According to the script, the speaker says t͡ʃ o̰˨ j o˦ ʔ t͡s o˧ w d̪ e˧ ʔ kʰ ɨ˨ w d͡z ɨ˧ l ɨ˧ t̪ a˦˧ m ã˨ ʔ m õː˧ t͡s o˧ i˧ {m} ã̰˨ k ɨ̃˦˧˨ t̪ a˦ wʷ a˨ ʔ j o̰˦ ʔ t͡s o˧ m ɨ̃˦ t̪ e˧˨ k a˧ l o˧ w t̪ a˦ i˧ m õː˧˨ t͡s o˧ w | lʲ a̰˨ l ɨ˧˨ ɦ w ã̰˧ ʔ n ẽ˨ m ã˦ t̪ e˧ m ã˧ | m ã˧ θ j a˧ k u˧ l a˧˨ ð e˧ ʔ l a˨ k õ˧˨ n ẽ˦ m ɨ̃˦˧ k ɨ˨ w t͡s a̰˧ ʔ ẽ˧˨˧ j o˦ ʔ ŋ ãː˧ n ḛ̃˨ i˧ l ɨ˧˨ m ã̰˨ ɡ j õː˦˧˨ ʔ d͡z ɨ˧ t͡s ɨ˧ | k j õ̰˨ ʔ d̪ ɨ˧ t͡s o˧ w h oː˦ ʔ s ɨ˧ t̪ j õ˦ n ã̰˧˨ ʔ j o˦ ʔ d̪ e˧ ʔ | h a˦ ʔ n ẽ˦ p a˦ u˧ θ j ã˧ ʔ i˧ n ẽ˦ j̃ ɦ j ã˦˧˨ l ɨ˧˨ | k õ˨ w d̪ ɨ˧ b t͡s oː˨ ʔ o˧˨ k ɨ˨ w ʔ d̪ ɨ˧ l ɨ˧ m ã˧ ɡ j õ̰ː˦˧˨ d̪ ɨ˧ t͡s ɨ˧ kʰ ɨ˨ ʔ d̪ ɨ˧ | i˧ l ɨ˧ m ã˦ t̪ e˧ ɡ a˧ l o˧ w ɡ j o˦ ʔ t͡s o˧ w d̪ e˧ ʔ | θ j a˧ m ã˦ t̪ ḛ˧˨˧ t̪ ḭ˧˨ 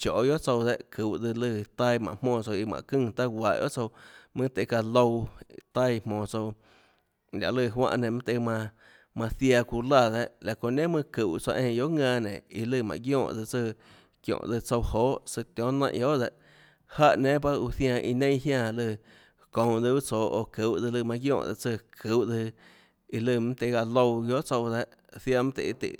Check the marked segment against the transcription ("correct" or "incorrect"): correct